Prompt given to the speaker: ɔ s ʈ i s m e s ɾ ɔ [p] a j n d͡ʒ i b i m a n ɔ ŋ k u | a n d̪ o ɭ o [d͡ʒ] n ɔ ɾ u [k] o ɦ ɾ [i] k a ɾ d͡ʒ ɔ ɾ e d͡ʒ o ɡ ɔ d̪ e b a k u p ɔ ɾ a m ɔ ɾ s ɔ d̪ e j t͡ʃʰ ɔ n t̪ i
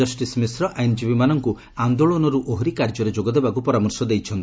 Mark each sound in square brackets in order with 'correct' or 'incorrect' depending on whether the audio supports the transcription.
incorrect: ʔ, incorrect: none, incorrect: ʔ, correct

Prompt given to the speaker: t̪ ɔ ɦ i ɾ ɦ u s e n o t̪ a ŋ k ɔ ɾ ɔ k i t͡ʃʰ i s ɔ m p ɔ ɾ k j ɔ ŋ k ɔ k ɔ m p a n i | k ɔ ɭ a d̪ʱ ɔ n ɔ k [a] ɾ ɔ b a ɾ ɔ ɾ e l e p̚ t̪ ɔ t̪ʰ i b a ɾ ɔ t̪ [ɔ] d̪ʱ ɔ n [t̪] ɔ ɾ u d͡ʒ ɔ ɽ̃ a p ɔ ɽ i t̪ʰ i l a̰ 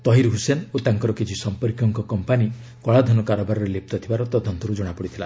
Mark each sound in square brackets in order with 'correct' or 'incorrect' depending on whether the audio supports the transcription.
correct, correct, correct

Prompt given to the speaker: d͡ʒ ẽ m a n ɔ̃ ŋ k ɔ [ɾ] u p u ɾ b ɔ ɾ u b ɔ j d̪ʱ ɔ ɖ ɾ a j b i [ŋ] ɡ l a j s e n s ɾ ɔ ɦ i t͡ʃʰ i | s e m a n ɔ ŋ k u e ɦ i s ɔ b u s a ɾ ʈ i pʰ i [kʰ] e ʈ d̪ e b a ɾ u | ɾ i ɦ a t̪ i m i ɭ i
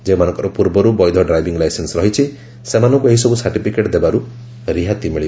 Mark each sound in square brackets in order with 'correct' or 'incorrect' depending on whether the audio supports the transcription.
correct, correct, incorrect: k

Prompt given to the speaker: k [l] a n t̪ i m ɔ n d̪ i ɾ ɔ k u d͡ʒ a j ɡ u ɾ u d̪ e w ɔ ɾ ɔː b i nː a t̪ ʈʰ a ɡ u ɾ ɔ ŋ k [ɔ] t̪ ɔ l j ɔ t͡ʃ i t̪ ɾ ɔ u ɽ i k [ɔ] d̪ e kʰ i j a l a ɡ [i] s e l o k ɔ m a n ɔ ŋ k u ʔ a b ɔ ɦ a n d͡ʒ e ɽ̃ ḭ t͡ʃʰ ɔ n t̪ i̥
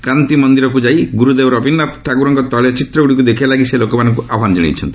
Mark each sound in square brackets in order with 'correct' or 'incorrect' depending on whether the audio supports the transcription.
incorrect: ɾ, correct, incorrect: u, correct

